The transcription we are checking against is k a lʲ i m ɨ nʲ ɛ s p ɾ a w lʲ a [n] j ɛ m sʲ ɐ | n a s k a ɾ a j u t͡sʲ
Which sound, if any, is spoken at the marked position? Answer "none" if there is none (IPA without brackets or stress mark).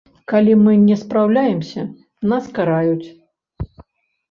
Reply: none